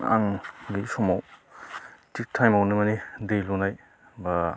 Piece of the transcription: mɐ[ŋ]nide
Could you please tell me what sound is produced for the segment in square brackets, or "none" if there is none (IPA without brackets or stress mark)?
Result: none